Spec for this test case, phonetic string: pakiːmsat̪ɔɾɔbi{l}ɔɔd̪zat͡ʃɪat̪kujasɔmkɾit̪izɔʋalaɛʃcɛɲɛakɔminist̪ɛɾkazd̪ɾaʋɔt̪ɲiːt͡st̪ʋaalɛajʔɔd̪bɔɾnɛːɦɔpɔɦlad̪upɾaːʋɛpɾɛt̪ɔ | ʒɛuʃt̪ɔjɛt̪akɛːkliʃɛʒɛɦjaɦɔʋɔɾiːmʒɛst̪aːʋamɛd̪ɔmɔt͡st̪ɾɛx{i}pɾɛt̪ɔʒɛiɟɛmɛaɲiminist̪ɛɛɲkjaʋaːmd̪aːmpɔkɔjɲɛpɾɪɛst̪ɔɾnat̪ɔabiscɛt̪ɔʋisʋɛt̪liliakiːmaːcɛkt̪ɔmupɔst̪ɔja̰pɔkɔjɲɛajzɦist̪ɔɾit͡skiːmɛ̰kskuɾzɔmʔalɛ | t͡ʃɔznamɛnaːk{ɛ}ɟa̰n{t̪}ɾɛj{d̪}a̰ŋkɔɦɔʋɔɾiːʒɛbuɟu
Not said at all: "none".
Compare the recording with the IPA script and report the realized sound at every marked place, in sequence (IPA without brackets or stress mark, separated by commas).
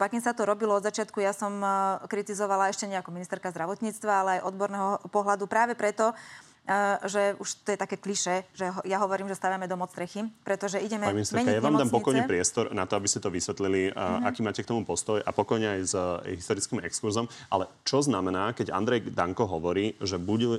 l, i, ɛ, d̪, d̪